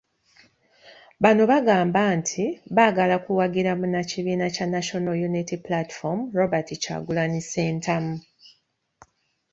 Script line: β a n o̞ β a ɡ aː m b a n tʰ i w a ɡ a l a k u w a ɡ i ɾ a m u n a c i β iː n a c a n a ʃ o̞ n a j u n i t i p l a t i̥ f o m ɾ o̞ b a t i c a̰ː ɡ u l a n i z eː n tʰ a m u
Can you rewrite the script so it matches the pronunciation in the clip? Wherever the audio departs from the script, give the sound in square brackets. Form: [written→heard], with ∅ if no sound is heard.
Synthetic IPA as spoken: β a n o̞ β a ɡ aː m b a n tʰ i [w→β] a ɡ a l a k u w a ɡ i ɾ a m u n a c i β iː n a c a n a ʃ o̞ n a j u n i t i p l a t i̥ f o m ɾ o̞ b a t i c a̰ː ɡ u l a n i [z→s] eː n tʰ a m u